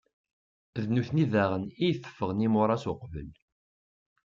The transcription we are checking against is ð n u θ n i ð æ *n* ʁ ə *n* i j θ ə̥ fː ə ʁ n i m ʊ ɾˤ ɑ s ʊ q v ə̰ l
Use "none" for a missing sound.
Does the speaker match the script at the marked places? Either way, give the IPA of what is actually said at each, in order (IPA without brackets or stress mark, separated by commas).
none, n